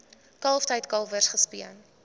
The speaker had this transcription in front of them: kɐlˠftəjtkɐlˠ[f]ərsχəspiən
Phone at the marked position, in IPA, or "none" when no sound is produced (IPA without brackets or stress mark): v